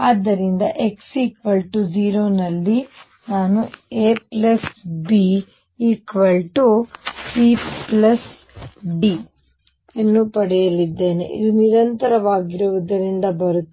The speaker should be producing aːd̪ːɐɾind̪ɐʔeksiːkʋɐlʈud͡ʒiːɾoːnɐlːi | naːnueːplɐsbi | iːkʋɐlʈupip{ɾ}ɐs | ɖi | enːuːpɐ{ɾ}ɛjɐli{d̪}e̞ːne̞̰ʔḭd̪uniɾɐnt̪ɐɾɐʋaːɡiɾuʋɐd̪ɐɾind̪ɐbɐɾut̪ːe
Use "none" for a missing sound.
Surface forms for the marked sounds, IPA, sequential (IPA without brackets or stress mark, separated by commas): l, ɽ, d̪ː